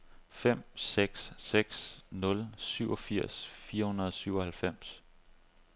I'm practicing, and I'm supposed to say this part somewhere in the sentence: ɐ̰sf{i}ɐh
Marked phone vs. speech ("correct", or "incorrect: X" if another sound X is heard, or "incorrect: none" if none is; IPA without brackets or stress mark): incorrect: iː